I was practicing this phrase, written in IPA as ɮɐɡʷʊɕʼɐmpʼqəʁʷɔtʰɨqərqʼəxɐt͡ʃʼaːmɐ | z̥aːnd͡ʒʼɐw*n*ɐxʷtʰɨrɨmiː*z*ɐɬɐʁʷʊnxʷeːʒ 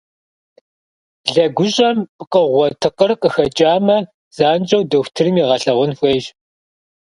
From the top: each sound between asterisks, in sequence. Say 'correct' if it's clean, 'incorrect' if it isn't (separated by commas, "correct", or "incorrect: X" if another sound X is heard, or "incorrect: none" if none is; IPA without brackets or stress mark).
incorrect: d, incorrect: ʁ